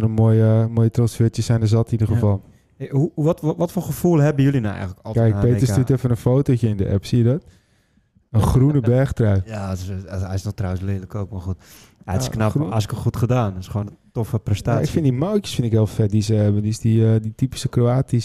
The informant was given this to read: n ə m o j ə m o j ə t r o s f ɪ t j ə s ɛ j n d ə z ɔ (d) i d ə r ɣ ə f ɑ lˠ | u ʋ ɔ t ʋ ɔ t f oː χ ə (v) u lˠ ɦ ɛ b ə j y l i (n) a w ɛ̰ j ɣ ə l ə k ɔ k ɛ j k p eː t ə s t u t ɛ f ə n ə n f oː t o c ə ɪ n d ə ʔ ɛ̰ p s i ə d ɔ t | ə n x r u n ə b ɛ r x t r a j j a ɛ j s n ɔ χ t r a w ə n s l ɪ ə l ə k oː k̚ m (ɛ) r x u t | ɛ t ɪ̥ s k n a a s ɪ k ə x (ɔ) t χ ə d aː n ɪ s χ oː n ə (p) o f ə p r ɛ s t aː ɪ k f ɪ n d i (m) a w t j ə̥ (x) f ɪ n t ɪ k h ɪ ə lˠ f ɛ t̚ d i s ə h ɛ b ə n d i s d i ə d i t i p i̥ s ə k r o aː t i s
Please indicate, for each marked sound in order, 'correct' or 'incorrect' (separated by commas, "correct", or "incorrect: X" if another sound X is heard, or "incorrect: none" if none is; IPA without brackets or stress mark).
incorrect: t, incorrect: f, correct, incorrect: a, incorrect: u, incorrect: t, correct, incorrect: s